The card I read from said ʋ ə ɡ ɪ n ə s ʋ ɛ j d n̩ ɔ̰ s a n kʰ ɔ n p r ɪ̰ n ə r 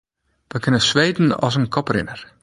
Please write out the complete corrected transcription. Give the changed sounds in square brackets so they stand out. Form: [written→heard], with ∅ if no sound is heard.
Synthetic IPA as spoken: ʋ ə [ɡ→k] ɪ n ə s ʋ [ɛ→e] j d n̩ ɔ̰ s [a→ə] n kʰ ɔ [n→∅] p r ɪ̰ n ə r